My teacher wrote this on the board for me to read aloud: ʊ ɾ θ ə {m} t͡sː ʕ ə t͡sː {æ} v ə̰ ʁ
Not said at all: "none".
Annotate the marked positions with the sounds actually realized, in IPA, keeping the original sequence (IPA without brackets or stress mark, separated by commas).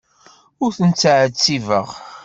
n, i